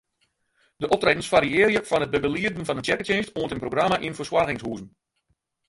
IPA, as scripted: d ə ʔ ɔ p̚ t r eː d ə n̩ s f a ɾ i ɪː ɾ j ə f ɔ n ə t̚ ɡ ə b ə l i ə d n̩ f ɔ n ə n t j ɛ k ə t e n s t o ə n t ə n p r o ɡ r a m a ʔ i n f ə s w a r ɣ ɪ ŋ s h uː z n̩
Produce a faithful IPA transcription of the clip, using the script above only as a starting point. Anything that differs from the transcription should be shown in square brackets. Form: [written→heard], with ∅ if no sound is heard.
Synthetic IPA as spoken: d ə ʔ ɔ p̚ t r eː d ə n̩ s f a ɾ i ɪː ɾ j ə f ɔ n ə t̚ [ɡ→b] ə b ə l i ə d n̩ f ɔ n ə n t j ɛ k ə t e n s t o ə n t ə n p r o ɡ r a m a ʔ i n f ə s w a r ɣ ɪ ŋ s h uː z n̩